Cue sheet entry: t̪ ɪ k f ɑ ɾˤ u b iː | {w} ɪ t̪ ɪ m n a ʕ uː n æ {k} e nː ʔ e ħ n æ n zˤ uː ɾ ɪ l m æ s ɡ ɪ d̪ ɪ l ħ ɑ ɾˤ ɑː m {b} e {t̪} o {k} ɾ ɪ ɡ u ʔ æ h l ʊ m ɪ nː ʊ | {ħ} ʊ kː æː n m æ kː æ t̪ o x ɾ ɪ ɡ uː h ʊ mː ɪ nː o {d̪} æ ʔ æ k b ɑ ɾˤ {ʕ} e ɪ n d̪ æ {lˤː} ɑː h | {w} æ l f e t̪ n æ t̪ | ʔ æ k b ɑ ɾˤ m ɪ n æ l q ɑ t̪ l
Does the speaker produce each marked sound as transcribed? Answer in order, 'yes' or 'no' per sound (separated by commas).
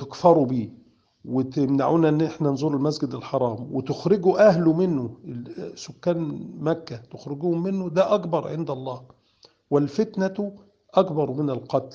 yes, no, no, yes, no, no, yes, yes, yes, yes